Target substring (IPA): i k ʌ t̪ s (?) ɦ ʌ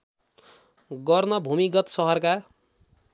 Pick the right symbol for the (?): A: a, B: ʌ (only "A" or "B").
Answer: B